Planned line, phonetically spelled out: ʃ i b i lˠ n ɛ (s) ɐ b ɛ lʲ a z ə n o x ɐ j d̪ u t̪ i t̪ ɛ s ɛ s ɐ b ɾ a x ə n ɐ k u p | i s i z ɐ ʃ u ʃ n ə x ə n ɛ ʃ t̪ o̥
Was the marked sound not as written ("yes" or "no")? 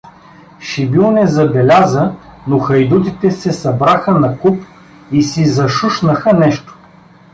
yes